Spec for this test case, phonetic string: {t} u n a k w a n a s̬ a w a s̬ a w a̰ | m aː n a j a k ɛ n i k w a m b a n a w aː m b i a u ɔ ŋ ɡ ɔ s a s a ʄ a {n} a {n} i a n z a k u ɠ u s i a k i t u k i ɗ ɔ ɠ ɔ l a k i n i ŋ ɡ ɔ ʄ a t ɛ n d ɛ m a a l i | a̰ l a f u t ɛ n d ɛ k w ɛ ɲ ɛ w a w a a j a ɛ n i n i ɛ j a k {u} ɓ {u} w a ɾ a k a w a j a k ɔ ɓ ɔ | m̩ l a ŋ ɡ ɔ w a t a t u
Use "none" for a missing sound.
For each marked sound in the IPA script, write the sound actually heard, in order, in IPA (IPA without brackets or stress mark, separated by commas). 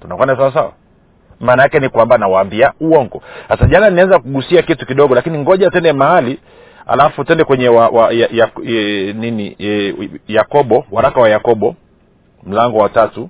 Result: t, n, n, ɔ, ɔ